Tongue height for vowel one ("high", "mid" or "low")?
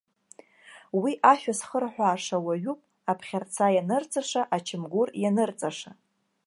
high